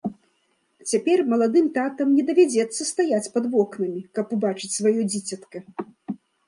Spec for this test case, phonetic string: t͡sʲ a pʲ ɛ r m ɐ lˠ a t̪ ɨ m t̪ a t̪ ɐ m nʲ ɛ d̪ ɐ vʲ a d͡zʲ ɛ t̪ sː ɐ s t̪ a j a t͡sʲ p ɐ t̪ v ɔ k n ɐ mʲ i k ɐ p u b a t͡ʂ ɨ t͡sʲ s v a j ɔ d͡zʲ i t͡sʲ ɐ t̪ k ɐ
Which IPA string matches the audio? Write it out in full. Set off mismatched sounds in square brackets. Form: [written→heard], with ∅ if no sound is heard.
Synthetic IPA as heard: t͡sʲ a pʲ ɛ r m ɐ lˠ a [t̪→d̪] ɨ m t̪ a t̪ ɐ m nʲ ɛ d̪ ɐ vʲ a d͡zʲ ɛ t̪ sː ɐ s t̪ a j a t͡sʲ p ɐ [t̪→d̪] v ɔ k n ɐ mʲ i k ɐ p u b a t͡ʂ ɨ t͡sʲ s v a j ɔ d͡zʲ i t͡sʲ ɐ t̪ k ɐ